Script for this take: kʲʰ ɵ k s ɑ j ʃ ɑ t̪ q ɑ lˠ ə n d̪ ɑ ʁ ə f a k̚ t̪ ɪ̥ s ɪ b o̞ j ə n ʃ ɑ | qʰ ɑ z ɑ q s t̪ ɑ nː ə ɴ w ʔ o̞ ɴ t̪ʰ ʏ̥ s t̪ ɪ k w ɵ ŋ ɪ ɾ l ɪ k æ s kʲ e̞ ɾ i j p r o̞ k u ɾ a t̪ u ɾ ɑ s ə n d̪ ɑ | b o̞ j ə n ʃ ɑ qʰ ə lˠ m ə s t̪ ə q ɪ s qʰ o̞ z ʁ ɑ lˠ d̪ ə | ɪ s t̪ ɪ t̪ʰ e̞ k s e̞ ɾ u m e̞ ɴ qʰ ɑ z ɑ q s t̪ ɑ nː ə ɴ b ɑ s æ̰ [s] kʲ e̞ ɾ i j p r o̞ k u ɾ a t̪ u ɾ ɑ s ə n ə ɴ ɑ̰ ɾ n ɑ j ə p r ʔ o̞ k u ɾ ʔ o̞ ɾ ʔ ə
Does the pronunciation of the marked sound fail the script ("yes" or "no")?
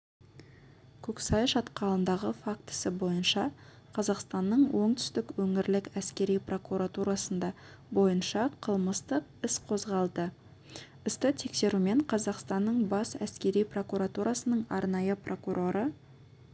no